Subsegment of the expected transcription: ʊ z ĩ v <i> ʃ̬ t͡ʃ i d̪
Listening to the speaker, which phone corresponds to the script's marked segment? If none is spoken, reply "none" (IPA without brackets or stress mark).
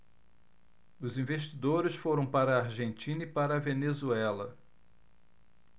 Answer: e